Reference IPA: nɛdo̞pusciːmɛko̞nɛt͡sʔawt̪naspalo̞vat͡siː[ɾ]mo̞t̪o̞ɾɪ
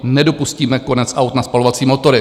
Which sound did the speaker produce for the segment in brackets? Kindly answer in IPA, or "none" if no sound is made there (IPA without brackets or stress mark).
none